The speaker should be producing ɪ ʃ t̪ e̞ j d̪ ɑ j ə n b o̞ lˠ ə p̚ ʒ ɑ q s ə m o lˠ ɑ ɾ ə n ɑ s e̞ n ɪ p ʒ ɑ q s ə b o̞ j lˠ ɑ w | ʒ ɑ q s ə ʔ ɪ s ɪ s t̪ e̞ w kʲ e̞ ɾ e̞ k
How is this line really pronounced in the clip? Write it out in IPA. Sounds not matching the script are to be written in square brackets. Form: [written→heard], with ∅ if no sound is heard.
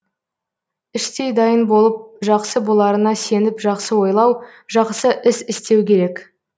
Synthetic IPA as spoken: ɪ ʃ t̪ e̞ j d̪ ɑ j ə n b o̞ lˠ ə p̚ ʒ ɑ q s ə [m→b] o lˠ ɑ ɾ ə n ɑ s e̞ n ɪ p ʒ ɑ q s ə [b→w] o̞ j lˠ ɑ w | ʒ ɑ q s ə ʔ ɪ s ɪ s t̪ e̞ w kʲ e̞ ɾ e̞ k